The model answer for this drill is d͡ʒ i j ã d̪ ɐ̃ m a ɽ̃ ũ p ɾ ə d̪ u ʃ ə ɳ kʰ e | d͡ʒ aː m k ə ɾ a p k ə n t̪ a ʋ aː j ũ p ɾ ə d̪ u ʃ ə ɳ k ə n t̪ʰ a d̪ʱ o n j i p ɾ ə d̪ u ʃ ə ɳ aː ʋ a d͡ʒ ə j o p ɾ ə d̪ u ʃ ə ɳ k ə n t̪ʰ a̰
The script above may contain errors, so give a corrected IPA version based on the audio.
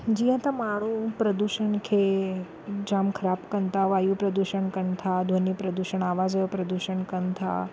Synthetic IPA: d͡ʒ i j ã t̪ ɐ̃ m a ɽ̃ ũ p ɾ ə d̪ u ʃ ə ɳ kʰ e | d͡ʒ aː m kʰ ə ɾ a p k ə n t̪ a ʋ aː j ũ p ɾ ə d̪ u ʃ ə ɳ k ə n t̪ʰ a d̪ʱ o n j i p ɾ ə d̪ u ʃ ə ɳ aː ʋ a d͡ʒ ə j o p ɾ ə d̪ u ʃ ə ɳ k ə n t̪ʰ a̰